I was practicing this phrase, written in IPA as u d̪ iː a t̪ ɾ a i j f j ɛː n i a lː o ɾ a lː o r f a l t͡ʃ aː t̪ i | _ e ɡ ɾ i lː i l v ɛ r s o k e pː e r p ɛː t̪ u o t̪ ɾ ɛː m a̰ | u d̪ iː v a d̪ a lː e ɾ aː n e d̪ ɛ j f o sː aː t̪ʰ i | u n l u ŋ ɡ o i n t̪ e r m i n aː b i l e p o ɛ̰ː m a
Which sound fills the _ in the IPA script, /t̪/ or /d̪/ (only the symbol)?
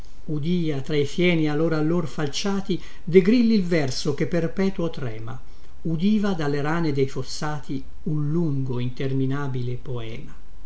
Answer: d̪